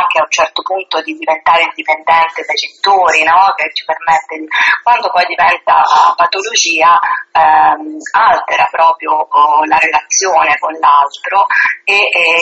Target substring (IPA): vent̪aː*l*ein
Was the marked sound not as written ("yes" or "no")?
yes